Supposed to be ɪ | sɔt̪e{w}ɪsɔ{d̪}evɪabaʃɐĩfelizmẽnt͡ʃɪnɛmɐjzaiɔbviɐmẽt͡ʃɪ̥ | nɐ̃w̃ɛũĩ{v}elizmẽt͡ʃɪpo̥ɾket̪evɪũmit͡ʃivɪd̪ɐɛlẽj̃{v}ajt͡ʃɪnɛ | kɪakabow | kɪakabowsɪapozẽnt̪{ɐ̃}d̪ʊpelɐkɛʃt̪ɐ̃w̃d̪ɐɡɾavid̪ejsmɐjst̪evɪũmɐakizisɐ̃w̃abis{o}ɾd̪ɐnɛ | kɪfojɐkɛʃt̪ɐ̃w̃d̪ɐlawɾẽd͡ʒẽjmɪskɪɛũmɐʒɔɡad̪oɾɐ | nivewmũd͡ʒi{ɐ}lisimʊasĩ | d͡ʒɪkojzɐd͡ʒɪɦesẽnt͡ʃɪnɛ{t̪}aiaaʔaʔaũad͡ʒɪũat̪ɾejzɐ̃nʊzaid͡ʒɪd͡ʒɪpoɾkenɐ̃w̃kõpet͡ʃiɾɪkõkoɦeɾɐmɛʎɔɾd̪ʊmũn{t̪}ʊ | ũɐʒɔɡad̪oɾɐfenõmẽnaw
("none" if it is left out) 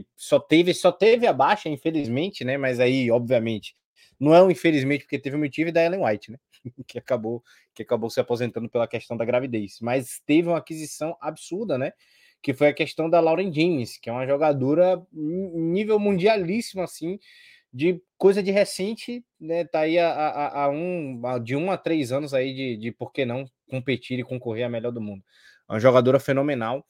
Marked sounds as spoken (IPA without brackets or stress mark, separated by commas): v, t̪, f, w, ɐ̃, u, a, t̪, d̪